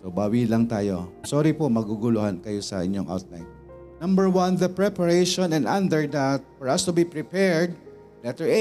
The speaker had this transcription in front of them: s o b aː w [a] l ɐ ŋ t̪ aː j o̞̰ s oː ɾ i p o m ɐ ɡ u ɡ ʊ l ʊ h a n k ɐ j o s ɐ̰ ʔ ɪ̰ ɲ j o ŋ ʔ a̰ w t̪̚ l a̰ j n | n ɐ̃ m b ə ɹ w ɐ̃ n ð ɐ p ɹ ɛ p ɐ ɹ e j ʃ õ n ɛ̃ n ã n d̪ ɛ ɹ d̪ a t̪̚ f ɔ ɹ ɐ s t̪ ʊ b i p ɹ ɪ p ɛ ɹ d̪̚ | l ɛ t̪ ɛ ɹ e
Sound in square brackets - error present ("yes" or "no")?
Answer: yes